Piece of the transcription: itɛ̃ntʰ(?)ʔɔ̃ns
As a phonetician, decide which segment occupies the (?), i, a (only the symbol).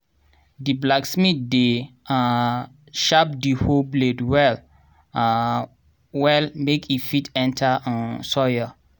a